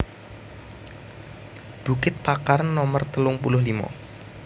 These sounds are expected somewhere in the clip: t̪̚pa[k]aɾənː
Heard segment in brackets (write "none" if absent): k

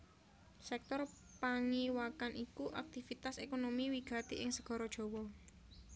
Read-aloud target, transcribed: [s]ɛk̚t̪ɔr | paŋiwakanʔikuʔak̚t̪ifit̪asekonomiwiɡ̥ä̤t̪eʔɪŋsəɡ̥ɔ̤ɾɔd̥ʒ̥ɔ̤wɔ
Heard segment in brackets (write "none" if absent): s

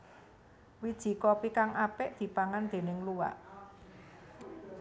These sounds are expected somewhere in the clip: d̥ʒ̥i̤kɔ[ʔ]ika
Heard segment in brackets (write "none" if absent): p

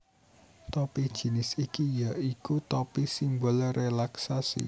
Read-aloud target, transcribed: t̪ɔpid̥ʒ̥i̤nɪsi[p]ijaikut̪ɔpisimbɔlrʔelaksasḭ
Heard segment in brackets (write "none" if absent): k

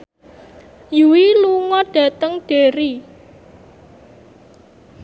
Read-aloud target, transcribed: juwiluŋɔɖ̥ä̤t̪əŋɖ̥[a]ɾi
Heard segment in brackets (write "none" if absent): e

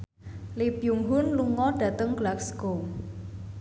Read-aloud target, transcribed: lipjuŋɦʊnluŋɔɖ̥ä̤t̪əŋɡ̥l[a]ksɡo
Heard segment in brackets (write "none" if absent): a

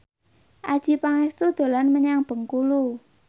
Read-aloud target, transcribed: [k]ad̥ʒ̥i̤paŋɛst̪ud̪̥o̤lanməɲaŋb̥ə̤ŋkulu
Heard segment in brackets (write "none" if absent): ʔ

